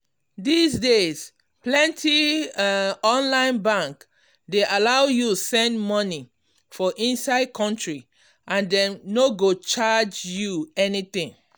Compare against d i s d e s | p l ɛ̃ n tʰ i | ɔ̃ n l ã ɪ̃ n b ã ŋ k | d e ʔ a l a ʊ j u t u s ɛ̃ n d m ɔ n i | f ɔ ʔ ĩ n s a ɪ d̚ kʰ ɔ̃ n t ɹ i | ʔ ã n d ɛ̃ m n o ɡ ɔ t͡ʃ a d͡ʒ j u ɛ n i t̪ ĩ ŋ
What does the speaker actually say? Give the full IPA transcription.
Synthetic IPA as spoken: d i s d e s | p l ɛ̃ n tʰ i | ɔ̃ n l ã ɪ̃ n b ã ŋ k | d e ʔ a l a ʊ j u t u s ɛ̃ n d m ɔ n i | f ɔ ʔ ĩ n s a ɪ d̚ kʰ ɔ̃ n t ɹ i | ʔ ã n d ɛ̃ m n o ɡ o t͡ʃ a d͡ʒ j u ɛ n i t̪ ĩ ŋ